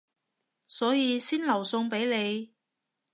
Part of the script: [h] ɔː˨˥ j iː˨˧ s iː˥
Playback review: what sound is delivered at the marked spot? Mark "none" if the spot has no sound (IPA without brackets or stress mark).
s